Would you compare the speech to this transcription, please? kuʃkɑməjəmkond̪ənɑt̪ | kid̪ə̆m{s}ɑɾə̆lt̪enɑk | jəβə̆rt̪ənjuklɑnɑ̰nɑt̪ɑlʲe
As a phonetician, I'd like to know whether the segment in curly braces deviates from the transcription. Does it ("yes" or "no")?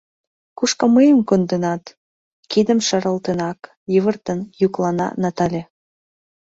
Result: yes